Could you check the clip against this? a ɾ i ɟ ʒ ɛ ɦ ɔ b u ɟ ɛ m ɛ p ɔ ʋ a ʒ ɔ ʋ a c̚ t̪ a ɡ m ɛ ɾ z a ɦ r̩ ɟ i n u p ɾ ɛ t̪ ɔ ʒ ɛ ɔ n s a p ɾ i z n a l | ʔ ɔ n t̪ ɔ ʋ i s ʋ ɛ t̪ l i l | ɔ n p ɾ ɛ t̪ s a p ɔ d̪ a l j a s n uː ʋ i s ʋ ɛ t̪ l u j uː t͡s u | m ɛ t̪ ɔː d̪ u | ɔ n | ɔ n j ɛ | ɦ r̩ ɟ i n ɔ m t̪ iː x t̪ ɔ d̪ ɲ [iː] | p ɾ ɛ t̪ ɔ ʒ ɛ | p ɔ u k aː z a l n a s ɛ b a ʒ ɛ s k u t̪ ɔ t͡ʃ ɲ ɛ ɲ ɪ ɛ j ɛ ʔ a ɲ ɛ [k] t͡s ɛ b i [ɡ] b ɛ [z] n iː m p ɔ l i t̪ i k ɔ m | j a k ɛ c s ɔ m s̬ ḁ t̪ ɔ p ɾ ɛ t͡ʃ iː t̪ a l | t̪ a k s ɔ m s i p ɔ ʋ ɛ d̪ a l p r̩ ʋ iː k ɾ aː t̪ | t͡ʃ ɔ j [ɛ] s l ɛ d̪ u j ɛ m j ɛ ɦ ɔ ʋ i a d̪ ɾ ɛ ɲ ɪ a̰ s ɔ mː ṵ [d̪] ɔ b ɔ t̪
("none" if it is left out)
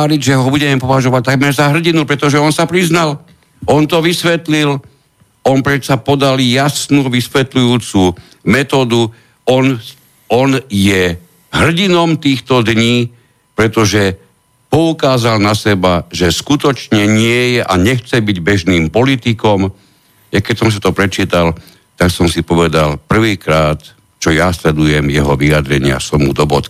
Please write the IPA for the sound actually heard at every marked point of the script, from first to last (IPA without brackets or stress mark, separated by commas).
iː, x, ɟ, ʒ, a, d̪